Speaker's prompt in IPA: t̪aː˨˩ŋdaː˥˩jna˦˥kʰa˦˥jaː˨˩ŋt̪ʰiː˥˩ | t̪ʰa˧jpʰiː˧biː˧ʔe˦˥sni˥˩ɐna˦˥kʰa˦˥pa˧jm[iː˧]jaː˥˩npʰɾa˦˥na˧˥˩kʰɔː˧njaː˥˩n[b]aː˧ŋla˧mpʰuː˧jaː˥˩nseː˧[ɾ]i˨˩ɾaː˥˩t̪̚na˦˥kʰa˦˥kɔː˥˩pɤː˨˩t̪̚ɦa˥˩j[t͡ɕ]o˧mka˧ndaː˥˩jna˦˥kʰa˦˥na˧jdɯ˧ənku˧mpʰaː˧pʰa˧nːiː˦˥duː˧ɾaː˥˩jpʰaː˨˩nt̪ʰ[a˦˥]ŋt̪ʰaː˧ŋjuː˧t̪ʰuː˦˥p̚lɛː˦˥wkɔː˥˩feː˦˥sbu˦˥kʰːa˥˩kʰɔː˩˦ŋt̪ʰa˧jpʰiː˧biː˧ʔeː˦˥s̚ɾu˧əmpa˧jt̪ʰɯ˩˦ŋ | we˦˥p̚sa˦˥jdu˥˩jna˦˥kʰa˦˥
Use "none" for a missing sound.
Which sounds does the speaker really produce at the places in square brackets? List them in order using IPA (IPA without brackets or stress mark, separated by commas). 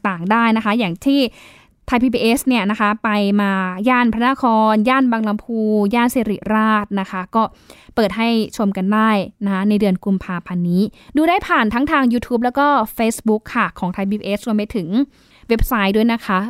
aː˧, b, ɾ, t͡ɕʰ, a˦˥